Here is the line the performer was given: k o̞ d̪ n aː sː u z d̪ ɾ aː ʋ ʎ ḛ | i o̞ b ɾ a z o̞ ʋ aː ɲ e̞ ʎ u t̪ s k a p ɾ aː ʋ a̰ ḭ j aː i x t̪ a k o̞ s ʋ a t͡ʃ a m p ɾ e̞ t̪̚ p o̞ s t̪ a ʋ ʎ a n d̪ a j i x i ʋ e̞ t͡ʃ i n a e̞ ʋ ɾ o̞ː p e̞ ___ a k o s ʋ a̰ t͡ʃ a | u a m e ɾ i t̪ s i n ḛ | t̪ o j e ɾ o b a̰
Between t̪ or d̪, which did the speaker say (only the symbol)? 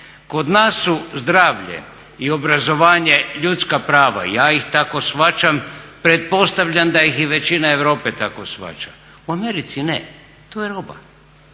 t̪